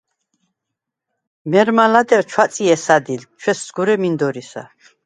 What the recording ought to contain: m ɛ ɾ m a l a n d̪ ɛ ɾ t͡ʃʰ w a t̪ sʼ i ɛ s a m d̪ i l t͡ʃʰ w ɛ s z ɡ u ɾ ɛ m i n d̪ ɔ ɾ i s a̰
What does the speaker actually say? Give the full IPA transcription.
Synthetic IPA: m ɛ ɾ m a l a d̪ ɛ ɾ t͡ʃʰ w a t̪ sʼ i ɛ s a d̪ i l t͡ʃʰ w ɛ s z ɡ u ɾ ɛ m i n d̪ ɔ ɾ i s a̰